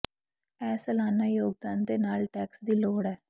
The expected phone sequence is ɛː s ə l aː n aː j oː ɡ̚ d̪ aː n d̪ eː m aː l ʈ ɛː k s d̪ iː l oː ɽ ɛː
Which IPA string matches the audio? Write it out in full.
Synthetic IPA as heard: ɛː s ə l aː n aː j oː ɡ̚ d̪ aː n d̪ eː n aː l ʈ ɛː k s d̪ iː l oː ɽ ɛː